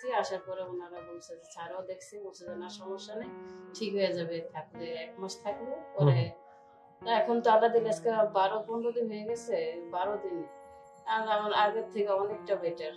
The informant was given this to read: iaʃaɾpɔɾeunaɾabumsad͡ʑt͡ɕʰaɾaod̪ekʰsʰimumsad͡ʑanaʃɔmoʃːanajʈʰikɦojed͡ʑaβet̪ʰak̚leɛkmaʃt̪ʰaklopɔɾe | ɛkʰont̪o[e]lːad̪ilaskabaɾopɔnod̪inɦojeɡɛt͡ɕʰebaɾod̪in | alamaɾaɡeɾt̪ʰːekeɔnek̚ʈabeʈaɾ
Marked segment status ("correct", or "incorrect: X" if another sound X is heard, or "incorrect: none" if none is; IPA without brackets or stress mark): incorrect: a